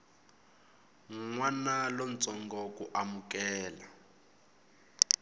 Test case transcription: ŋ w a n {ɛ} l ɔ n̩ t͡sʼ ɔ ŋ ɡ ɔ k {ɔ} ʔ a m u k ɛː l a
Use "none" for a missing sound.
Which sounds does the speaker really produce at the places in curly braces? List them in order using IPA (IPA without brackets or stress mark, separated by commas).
a, u